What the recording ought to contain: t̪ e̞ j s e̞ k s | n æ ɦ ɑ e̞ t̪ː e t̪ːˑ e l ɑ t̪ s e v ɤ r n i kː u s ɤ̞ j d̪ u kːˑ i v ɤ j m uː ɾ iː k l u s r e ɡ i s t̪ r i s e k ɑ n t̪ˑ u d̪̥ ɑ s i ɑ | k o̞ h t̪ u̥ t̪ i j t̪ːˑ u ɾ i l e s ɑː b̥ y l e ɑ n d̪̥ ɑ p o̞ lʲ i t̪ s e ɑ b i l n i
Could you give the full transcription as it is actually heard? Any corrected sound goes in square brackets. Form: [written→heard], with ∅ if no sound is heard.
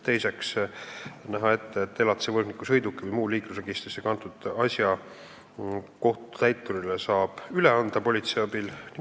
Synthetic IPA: t̪ e̞ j s e̞ k s | n æ ɦ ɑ e̞ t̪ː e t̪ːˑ e l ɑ t̪ s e v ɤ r n i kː u s ɤ̞ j d̪ u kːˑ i v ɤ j m uː [ɾ→l] iː k l u s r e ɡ i s t̪ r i s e k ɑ n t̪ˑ u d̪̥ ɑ s [i→j] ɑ | k o̞ h t̪ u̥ t̪ [i→æ] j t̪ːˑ u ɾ i l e s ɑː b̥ y l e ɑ n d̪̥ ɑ p o̞ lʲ i t̪ s e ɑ b i l n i